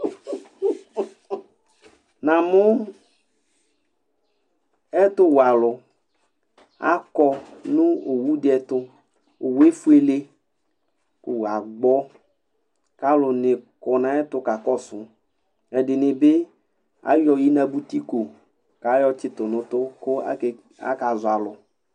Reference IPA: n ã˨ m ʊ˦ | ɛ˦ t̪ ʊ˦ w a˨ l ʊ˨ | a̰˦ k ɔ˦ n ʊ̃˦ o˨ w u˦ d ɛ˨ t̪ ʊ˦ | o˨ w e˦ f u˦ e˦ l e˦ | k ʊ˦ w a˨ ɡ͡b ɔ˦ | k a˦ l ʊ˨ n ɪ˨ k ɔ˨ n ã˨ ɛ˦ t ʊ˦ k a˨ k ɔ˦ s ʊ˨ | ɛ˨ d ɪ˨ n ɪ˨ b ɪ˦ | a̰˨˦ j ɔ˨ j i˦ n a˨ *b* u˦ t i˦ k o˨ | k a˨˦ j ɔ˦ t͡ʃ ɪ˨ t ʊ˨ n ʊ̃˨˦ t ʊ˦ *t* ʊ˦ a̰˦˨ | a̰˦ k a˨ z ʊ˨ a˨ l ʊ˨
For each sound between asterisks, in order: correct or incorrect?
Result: correct, incorrect

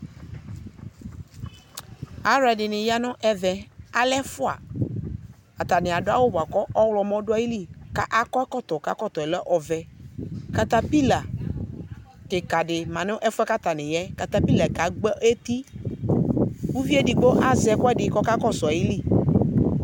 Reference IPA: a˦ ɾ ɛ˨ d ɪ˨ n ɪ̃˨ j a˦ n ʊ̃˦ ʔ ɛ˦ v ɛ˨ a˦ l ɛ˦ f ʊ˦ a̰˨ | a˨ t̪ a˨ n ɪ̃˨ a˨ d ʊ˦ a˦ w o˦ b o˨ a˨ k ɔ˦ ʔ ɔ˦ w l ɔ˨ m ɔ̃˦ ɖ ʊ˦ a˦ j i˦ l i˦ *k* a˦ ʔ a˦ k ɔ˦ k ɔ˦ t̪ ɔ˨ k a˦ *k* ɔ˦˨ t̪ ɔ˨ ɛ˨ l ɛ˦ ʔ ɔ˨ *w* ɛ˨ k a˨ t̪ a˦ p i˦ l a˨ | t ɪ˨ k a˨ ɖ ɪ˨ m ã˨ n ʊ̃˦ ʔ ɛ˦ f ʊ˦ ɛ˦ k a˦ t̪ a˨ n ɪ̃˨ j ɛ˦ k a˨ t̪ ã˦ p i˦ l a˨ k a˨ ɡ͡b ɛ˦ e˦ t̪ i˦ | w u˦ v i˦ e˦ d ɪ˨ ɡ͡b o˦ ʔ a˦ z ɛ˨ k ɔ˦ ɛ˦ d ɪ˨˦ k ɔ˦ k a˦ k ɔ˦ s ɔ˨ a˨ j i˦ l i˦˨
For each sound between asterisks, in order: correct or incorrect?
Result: correct, correct, incorrect

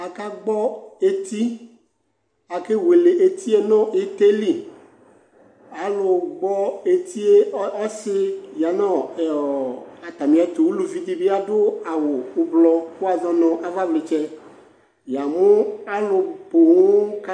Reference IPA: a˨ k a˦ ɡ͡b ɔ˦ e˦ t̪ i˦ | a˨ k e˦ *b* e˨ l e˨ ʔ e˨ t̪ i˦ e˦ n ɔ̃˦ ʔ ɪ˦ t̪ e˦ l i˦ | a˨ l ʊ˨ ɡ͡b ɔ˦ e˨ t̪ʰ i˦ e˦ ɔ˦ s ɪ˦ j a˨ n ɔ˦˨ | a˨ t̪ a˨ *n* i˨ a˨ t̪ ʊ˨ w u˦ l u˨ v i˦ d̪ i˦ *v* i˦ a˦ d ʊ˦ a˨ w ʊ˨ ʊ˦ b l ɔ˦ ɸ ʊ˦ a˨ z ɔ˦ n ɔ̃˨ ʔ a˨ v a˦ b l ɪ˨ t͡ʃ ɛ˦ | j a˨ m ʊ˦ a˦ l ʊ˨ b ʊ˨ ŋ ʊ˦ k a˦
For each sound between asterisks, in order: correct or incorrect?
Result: incorrect, incorrect, incorrect

